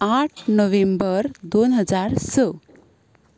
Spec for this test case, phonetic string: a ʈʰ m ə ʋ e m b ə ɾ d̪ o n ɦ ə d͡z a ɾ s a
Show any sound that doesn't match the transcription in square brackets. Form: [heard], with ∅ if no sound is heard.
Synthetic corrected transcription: a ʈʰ [n] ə ʋ e m b ə ɾ d̪ o n ɦ ə d͡z a ɾ s [ə]